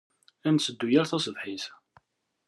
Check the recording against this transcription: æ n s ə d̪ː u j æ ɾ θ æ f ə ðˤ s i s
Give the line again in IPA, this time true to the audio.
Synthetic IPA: æ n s ə d̪ː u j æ ɾ θ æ s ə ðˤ ħ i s